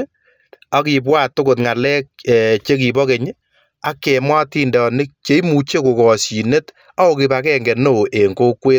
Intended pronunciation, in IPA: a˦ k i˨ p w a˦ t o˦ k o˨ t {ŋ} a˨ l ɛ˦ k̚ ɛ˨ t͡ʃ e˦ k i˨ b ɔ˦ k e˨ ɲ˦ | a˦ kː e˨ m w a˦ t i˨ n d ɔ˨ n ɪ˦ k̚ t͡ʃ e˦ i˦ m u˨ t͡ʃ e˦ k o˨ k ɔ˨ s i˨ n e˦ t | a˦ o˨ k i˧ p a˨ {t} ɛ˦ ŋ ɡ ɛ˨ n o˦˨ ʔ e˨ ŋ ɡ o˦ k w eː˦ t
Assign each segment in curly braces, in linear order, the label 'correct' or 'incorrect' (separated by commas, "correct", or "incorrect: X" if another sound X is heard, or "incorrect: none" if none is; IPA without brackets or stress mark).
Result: correct, incorrect: k